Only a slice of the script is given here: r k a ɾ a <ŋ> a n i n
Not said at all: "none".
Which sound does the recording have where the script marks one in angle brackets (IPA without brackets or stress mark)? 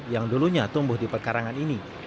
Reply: ŋ